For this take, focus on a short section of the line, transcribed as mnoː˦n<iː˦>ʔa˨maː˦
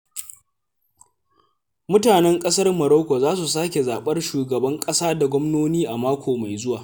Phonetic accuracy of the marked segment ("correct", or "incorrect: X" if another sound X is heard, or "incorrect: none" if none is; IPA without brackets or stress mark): correct